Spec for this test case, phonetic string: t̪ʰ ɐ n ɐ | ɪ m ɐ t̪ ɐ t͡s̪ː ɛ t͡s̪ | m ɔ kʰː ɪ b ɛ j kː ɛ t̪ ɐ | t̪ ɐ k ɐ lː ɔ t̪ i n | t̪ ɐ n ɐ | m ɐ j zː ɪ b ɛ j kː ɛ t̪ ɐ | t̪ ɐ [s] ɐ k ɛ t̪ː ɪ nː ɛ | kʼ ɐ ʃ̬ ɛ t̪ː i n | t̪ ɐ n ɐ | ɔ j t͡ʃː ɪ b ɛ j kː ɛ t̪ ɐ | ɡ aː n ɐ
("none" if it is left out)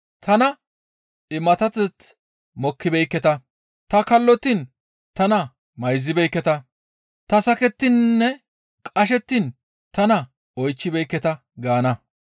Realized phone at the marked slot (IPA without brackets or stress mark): s